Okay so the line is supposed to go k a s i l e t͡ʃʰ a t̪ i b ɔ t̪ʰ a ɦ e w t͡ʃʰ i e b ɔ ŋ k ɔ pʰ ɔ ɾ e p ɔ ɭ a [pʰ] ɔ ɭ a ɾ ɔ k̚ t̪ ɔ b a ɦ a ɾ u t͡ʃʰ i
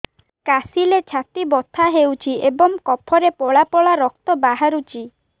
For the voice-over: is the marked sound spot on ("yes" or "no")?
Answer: no